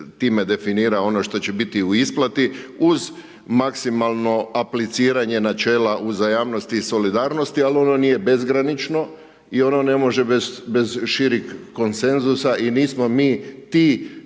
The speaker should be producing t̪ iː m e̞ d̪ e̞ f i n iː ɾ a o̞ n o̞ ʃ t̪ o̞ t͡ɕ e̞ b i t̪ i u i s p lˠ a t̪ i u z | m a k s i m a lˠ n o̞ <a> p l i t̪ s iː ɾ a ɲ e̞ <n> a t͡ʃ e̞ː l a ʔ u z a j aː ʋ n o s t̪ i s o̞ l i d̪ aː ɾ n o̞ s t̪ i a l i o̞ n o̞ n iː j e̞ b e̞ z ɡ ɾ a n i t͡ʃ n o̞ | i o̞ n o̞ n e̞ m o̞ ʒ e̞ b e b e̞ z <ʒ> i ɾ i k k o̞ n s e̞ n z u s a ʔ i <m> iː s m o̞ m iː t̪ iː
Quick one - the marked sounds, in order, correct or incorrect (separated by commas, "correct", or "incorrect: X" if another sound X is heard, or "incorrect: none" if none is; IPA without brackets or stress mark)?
correct, correct, incorrect: ʃ, incorrect: n